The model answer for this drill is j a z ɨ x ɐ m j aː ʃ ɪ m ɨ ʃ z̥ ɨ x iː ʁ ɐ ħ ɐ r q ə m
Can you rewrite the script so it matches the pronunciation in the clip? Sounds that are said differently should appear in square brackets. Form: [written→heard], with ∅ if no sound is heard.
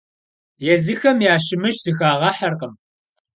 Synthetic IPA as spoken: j [a→ɛ] z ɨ x ɐ m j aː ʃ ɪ m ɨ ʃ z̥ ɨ x [iː→aː] ʁ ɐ ħ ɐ r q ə m